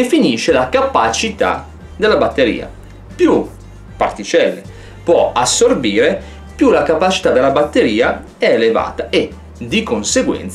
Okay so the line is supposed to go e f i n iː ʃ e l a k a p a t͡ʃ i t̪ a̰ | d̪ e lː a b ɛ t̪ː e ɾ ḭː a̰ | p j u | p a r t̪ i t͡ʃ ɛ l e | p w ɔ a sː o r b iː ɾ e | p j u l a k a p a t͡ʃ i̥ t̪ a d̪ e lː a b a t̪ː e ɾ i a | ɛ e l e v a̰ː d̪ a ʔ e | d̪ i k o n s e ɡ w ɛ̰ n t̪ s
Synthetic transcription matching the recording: e f i n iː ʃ e l a k a p a t͡ʃ i t̪ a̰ | d̪ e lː a b a t̪ː e ɾ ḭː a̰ | p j u | p a r t̪ i t͡ʃ ɛ lː e | p w ɔ a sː o r b iː ɾ e | p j u l a k a p a t͡ʃ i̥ t̪ a d̪ e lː a b a t̪ː e ɾ iː a | ɛ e l e v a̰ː t̪ a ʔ e | d̪ i k o n s e ɡ w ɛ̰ n t̪ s